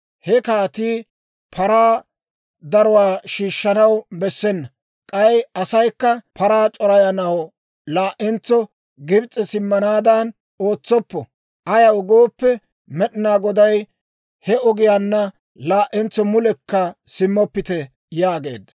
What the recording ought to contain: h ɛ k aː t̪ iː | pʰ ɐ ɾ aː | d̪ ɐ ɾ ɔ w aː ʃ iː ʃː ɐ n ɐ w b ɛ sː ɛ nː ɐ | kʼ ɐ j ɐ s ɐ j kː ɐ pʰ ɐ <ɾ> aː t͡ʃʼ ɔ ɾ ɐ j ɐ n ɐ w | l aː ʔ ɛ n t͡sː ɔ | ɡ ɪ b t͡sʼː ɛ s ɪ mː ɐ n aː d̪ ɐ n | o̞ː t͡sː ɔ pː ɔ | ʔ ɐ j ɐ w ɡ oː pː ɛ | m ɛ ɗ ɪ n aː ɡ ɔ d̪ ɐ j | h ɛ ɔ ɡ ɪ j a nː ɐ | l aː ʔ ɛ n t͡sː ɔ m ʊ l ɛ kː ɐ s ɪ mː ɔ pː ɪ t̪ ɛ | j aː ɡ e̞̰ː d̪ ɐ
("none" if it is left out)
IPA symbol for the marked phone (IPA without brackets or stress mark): ɾ